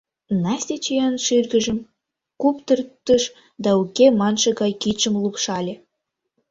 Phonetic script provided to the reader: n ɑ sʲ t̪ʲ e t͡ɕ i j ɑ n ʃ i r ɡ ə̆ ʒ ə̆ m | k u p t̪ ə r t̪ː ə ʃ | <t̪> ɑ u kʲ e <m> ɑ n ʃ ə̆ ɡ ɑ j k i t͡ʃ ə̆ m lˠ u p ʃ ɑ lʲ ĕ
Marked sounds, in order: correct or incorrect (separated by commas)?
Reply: incorrect, correct